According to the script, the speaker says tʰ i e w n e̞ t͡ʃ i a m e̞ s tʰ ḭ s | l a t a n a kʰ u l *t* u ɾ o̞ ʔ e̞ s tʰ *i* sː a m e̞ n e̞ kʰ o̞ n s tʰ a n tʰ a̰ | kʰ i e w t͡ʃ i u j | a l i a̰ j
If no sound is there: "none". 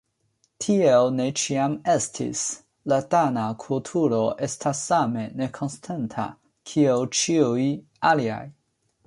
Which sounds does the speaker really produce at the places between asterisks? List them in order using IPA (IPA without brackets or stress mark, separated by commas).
tʰ, a